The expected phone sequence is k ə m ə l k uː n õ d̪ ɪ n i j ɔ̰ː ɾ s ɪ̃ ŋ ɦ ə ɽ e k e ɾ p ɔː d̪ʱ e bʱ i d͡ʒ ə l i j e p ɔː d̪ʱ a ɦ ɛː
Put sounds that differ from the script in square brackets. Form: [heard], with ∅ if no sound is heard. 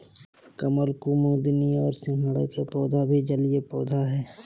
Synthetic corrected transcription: k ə m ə l k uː [m] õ d̪ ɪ n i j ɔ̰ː ɾ s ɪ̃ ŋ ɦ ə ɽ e k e [∅] p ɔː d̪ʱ [a] bʱ i d͡ʒ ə l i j e p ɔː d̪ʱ a ɦ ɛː